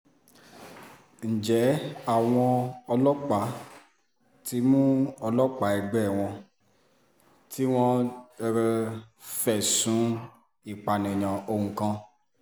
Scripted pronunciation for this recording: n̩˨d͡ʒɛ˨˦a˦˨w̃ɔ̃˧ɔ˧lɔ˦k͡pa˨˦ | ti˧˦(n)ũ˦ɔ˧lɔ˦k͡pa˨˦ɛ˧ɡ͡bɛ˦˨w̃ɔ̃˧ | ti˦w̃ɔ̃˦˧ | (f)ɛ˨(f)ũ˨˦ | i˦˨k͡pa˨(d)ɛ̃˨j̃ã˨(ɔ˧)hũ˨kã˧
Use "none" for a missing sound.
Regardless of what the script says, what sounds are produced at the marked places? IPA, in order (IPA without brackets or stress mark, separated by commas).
m, f, s, n, o˧